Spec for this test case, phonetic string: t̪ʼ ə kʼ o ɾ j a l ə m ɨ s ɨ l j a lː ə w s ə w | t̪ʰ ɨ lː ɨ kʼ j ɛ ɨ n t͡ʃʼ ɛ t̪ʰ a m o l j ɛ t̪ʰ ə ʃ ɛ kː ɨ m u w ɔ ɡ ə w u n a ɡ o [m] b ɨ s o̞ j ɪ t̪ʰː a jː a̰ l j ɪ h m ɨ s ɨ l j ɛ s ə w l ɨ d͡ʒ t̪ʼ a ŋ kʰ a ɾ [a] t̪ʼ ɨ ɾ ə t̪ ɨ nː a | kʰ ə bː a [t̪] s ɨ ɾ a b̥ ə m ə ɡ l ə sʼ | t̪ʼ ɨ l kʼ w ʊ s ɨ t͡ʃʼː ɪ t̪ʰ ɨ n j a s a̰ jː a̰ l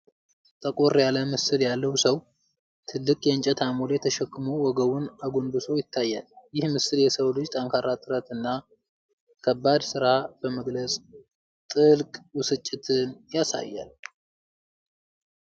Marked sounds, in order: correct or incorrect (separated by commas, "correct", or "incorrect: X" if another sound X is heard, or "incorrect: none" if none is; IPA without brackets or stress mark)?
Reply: incorrect: n, correct, incorrect: d̪